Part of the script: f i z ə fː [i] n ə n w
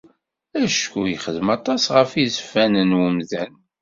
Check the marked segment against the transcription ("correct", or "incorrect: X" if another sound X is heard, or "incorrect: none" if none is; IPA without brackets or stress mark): incorrect: æ